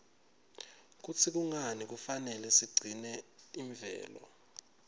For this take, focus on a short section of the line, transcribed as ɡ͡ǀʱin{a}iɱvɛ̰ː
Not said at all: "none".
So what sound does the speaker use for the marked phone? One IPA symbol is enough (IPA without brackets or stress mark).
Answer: ɛ